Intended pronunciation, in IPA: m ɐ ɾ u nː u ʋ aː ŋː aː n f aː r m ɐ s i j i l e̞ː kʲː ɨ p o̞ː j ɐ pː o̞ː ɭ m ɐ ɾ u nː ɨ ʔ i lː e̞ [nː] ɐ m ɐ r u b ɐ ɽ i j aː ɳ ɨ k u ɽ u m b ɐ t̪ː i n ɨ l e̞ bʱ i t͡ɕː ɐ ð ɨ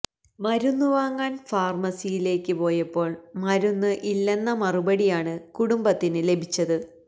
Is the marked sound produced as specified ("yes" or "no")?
yes